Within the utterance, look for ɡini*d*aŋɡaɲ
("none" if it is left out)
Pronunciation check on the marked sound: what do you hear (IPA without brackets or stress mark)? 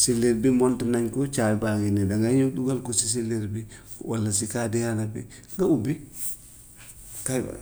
d